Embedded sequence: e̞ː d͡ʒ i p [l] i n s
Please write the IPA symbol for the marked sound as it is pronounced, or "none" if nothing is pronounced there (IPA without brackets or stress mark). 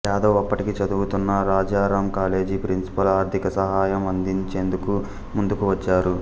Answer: ɾ